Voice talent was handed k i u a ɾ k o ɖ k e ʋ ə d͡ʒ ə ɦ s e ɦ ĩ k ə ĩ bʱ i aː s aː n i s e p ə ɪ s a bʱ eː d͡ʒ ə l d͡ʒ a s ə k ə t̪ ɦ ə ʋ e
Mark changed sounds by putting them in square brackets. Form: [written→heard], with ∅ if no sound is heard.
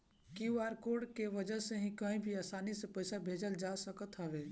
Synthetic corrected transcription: k i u a ɾ k o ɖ k e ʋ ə d͡ʒ ə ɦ s e ɦ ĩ k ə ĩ bʱ i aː s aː n i s e p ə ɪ s a bʱ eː d͡ʒ ə l d͡ʒ a s ə k ə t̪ ɦ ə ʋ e